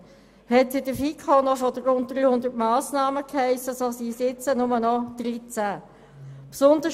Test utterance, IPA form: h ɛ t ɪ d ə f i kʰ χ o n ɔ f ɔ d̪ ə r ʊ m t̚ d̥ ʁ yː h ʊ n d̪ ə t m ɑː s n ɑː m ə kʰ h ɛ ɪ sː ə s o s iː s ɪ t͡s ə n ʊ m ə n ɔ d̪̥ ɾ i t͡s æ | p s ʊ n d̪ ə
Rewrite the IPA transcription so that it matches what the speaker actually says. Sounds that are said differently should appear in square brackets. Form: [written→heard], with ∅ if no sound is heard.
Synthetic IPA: h ɛ t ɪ d ə f i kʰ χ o n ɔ f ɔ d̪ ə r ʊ [m→n] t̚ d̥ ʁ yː h ʊ n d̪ ə t m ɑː s n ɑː m ə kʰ h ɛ ɪ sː ə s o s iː s ɪ t͡s ə n ʊ m ə n ɔ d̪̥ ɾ i t͡s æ | p s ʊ n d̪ ə